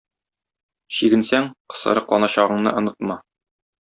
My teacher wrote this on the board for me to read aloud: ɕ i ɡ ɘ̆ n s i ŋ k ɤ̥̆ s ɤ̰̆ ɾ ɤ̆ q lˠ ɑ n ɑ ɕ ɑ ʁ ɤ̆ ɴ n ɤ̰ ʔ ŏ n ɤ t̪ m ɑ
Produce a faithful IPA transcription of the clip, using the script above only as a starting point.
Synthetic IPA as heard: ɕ i ɡ ɘ̆ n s æ ŋ q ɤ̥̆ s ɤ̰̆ ɾ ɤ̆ q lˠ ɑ n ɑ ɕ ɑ ʁ ɤ̆ ɴ n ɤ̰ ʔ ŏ n ɤ t̪ m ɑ